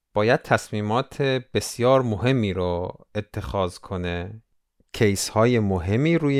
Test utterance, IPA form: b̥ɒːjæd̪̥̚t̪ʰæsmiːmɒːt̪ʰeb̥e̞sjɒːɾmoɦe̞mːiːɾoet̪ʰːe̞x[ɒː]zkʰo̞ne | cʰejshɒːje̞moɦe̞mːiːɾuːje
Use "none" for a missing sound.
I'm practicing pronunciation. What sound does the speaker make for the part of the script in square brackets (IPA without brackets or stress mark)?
ɒː